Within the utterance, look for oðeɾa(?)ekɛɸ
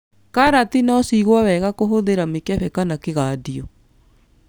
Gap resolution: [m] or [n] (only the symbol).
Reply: m